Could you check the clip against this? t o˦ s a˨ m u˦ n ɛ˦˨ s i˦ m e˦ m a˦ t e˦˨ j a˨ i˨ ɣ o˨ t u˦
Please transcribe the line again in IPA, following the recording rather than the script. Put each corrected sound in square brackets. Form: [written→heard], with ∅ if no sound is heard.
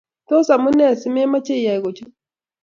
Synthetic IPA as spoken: t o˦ s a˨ m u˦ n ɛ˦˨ s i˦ m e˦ m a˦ [t→t͡ʃ] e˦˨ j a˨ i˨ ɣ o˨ [t→t͡ʃ] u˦